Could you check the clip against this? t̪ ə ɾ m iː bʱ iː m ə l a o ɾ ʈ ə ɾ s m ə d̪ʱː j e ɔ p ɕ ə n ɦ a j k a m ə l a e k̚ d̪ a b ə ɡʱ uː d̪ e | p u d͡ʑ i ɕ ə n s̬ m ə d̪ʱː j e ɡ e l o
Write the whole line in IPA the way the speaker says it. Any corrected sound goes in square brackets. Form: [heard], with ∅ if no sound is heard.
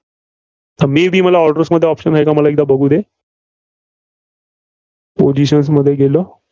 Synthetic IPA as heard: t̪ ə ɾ m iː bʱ iː m ə l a [ɔ] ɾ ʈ ə ɾ s m ə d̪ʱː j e ɔ p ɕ ə n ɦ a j k a m ə l a e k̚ d̪ a b ə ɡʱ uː d̪ e | p [o] d͡ʑ i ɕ ə n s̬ m ə d̪ʱː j e ɡ e l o